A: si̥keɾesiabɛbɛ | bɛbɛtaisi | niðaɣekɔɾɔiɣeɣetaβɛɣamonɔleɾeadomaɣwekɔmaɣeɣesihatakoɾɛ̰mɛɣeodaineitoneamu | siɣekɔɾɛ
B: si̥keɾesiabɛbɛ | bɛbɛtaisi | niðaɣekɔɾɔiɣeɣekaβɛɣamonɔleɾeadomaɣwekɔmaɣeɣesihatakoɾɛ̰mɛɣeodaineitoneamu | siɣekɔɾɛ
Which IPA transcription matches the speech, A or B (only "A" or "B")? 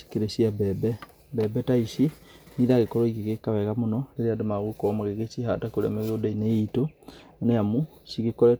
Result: B